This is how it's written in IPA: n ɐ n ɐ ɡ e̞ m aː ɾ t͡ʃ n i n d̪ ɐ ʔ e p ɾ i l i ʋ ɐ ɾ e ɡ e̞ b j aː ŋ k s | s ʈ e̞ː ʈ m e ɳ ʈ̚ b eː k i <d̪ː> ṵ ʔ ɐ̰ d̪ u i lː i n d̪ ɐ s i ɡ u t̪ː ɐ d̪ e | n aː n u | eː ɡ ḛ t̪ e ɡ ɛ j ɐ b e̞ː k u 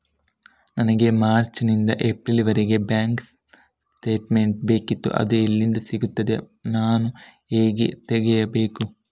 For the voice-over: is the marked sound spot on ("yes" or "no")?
no